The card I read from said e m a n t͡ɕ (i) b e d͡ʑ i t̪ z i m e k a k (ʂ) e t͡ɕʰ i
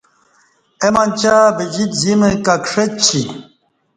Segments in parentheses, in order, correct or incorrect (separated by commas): incorrect, correct